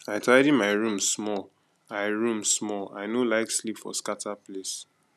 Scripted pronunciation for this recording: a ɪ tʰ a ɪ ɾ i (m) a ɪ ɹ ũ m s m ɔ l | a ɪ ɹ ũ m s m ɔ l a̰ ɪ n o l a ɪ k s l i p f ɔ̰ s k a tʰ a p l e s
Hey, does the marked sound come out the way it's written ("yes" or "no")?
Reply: yes